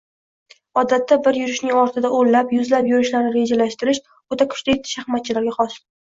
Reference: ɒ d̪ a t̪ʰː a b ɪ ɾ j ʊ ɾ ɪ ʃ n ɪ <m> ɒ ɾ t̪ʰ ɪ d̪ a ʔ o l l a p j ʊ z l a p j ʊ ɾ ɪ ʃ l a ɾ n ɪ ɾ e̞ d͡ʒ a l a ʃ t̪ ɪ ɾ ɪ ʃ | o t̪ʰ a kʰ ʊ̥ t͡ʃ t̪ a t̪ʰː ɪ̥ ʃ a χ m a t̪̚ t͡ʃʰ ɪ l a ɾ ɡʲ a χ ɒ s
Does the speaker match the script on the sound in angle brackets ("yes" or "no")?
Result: no